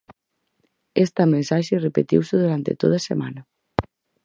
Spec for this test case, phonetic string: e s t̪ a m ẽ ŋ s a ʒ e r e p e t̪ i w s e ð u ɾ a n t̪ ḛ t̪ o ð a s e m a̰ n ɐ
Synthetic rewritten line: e s t̪ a m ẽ n s a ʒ e r e p e t̪ i w s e ð u ɾ a n t̪ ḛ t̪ o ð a s e m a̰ n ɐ